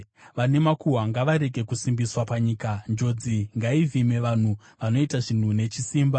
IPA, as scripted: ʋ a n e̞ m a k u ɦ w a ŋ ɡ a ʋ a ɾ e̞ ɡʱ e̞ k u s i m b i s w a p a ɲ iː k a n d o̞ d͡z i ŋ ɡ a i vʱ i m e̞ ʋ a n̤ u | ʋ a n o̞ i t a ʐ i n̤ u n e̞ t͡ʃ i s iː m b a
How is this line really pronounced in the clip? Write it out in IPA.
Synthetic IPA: ʋ a n e̞ m a k u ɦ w a ŋ ɡ a ʋ a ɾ e̞ ɡʱ e̞ k u s i m b i s w a p a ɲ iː k a n d͡ʒ o̞ d͡z i ŋ ɡ a i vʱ i m e̞ ʋ a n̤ u | ʋ a n o̞ i t a ʐ i n̤ u n e̞ t͡ʃ i s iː m b a